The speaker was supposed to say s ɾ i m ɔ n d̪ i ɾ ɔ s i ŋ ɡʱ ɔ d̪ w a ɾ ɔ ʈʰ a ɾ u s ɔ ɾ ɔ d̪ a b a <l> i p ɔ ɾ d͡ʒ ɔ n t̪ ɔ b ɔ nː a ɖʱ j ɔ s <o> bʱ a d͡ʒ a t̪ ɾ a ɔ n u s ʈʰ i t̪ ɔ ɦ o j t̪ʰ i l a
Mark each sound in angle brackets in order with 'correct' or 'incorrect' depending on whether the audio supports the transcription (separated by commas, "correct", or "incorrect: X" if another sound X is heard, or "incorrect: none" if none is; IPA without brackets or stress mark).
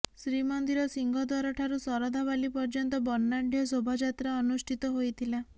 correct, correct